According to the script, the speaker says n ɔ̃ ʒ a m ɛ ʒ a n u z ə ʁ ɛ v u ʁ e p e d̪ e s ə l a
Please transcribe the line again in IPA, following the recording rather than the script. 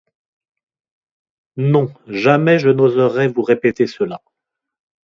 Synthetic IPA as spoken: n ɔ̃ ʒ a m ɛ ʒ ə n o z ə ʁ ɛ v u ʁ e p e t̪ e s ə l a